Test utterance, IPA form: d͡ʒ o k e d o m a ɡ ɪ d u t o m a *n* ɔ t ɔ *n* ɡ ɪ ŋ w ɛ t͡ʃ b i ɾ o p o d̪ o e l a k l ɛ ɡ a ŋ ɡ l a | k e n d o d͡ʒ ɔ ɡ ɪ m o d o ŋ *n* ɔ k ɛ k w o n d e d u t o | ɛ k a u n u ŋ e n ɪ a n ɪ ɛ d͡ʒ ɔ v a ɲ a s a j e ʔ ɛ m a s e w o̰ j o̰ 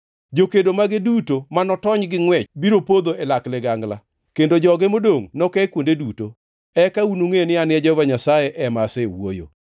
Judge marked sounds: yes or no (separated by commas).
yes, no, yes